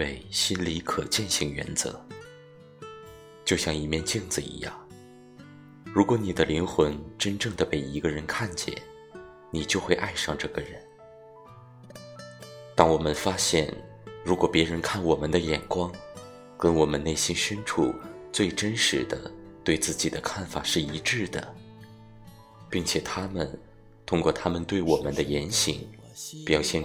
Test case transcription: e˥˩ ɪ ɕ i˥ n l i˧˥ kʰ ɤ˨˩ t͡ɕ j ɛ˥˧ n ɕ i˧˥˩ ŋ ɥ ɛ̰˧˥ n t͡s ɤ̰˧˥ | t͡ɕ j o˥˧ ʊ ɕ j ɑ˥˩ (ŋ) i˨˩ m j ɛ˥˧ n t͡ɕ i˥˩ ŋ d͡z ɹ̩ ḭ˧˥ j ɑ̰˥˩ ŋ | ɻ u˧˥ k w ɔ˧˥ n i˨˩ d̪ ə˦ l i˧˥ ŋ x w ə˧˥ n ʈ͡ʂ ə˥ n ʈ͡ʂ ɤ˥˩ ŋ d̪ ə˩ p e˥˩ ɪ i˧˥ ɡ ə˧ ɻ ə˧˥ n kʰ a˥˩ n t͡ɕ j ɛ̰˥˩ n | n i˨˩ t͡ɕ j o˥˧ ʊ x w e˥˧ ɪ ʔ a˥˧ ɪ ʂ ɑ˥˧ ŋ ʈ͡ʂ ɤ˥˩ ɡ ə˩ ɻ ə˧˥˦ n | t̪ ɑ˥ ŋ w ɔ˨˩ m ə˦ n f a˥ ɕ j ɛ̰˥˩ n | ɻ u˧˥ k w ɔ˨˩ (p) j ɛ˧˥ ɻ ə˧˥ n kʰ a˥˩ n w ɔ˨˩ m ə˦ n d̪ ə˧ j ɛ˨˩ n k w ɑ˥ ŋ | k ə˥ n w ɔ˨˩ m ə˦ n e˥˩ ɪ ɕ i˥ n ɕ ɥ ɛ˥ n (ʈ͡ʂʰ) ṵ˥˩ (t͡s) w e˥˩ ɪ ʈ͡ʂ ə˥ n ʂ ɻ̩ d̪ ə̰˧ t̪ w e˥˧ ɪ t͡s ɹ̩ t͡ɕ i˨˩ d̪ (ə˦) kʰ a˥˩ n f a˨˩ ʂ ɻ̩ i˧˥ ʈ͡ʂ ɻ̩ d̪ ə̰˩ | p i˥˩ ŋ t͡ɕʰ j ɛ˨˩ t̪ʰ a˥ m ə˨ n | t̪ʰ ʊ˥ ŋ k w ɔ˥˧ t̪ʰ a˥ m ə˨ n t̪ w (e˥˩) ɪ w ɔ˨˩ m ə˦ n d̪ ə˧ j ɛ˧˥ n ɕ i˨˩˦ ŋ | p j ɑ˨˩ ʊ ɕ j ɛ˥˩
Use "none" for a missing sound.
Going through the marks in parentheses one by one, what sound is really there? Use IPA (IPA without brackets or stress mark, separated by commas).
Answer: ŋ, p, ʈ͡ʂʰ, t͡s, ə˦, e˥˩